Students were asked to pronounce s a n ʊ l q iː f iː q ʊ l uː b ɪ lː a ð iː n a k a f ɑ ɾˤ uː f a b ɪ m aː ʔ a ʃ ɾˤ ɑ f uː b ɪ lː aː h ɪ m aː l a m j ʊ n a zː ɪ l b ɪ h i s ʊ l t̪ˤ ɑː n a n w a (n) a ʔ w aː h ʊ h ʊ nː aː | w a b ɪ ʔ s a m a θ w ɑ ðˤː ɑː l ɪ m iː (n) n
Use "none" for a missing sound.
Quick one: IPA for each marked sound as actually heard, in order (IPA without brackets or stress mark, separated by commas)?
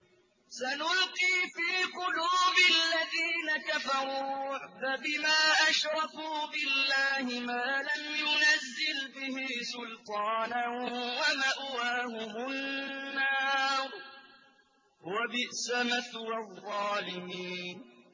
m, n